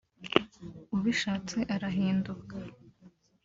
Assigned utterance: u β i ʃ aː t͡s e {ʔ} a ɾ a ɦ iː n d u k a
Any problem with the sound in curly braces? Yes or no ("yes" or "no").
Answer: no